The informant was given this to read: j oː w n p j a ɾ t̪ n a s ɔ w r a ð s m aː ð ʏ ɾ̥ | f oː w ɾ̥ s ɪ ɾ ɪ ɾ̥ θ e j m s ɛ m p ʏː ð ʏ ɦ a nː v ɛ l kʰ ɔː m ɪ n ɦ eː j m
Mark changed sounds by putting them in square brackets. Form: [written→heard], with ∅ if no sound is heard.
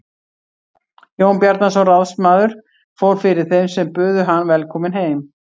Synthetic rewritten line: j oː w n p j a ɾ t̪ n a s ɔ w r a ð s m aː ð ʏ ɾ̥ | f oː w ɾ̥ [s→f] ɪ ɾ ɪ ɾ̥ θ e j m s ɛ m p ʏː ð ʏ ɦ a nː v ɛ l kʰ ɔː m ɪ n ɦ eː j m